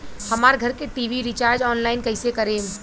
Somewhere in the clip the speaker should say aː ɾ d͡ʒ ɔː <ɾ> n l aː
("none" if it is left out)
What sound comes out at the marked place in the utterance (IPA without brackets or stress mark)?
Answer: none